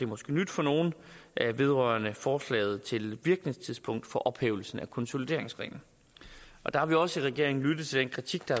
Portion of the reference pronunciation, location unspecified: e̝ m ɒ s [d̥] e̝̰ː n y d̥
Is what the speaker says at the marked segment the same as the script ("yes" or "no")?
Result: no